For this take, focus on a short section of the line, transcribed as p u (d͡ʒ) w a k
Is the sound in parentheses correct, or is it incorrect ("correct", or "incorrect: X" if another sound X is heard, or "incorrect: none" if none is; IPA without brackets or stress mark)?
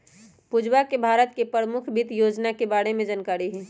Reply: correct